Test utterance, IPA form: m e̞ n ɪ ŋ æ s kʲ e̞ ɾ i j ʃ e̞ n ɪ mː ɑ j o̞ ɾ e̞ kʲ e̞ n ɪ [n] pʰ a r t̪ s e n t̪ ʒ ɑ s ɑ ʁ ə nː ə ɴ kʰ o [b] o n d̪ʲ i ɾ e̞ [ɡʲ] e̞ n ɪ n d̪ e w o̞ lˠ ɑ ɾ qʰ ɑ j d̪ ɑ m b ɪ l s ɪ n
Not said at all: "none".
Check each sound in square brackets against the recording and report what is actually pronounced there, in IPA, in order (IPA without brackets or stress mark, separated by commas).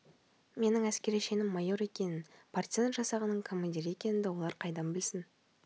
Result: n, m, kʲ